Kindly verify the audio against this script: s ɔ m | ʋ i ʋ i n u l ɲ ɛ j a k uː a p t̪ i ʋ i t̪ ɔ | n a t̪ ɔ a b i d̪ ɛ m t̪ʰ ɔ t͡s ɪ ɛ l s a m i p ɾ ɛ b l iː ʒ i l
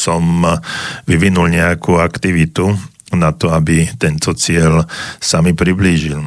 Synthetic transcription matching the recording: s ɔ m | ʋ i ʋ i n u l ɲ ɛ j a k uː a k t̪ i ʋ i t̪ u | n a t̪ ɔ a b i t̪ ɛ n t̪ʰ ɔ t͡s ɪ ɛ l s a m i p ɾ i b l iː ʒ i l